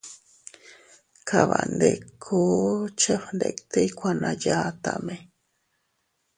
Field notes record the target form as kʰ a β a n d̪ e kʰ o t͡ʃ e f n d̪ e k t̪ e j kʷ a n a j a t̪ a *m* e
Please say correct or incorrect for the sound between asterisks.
correct